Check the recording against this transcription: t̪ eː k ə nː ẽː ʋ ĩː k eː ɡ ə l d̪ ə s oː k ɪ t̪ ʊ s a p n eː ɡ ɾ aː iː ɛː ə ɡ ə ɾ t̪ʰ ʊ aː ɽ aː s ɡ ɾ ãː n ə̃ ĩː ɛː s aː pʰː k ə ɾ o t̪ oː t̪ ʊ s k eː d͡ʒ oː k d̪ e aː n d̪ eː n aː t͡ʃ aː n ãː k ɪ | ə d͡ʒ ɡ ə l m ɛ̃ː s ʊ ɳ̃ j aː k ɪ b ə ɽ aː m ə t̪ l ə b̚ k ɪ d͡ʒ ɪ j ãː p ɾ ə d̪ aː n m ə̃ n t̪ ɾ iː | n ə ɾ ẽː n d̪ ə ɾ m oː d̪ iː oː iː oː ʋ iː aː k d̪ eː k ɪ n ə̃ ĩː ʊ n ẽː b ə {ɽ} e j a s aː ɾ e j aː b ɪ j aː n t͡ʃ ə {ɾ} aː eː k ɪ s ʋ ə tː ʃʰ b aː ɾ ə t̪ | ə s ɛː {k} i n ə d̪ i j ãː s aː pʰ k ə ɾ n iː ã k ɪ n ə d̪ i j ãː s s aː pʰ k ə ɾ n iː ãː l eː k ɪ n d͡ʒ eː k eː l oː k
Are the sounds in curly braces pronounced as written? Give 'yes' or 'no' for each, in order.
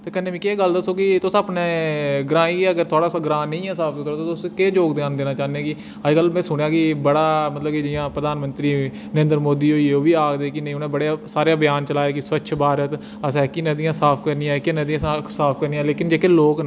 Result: yes, no, yes

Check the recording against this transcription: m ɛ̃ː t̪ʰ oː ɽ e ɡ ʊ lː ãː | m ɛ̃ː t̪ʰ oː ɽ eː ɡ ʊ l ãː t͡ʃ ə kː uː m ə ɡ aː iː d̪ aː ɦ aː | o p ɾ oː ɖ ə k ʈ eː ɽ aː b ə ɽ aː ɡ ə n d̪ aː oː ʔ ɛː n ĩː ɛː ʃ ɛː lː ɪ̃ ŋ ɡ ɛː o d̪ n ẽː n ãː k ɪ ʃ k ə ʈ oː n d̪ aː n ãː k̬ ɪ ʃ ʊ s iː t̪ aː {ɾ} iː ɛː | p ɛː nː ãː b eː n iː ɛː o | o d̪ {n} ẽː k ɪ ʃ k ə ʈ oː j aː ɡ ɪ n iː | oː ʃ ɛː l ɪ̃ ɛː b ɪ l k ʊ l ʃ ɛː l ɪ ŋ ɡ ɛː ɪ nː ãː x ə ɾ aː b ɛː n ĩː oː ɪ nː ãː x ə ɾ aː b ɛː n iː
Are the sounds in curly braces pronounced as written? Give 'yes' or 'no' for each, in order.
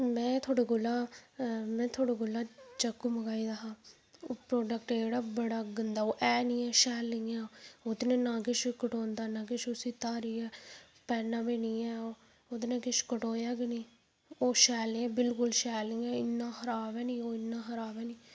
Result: yes, yes

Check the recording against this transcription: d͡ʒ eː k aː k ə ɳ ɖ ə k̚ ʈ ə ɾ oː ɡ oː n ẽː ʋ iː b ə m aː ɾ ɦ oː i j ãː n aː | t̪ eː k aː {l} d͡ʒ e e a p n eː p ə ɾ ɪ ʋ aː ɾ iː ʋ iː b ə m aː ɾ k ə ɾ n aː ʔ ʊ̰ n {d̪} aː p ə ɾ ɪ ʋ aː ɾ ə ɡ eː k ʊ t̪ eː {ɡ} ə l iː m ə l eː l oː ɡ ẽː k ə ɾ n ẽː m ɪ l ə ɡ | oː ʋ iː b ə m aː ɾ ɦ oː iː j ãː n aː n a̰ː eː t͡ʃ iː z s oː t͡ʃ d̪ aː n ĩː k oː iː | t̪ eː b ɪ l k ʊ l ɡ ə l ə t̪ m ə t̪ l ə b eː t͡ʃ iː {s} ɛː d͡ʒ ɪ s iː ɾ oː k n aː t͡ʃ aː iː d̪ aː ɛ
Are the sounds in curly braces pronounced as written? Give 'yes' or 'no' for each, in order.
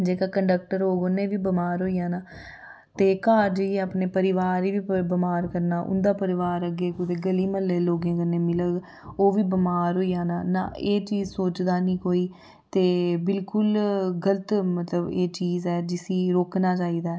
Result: no, yes, yes, no

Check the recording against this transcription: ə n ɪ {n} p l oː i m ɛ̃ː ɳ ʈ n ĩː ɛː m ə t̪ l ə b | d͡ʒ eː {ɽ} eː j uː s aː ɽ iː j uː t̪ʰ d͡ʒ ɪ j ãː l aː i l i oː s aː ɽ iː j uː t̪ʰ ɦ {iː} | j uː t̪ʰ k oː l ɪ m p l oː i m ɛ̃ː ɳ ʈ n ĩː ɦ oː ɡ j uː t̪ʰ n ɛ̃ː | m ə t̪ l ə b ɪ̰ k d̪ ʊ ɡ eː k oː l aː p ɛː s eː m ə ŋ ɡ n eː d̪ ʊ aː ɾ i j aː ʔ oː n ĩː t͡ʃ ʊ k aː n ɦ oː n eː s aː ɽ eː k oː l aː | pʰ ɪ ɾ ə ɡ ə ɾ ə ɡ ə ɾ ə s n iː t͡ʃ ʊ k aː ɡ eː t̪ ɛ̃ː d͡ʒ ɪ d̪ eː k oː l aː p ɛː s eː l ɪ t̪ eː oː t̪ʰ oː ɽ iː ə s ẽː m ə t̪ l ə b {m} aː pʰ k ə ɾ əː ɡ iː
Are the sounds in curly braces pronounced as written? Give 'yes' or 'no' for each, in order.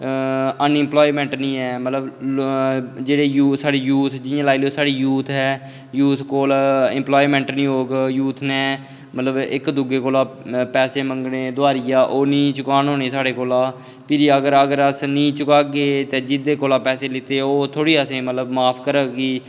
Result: no, yes, no, yes

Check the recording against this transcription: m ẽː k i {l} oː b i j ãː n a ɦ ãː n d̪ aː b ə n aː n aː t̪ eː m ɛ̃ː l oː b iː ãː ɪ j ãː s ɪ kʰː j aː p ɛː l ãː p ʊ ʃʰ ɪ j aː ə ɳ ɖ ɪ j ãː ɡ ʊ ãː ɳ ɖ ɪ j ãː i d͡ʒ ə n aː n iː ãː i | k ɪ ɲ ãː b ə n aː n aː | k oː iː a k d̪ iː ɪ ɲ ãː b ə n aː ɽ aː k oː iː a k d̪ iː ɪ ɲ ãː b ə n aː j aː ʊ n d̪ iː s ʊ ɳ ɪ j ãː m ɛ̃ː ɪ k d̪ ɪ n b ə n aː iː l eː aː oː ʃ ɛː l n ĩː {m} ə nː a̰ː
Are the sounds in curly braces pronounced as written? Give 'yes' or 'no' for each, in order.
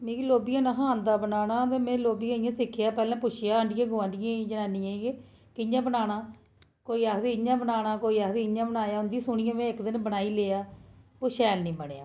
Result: yes, no

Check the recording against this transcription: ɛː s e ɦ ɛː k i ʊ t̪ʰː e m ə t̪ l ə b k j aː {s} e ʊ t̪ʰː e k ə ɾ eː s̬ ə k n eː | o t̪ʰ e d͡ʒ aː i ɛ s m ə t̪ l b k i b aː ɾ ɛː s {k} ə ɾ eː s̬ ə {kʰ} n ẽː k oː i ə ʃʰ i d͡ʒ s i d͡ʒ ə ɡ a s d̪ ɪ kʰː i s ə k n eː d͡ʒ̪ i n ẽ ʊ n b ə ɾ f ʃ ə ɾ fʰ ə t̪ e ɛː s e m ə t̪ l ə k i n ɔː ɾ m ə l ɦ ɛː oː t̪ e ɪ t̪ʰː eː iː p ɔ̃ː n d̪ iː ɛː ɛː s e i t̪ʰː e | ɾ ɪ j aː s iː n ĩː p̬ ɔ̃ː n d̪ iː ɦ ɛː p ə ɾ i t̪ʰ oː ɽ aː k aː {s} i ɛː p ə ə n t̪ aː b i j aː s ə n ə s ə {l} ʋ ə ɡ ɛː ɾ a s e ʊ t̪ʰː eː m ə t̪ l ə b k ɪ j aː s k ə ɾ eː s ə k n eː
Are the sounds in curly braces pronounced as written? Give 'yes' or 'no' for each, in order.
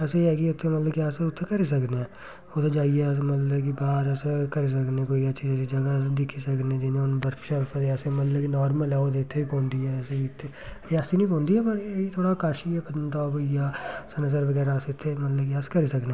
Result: yes, yes, no, no, no

